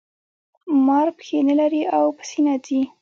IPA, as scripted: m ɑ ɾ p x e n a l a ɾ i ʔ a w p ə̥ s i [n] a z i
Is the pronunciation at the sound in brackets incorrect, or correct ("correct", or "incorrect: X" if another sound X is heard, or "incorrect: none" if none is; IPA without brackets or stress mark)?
correct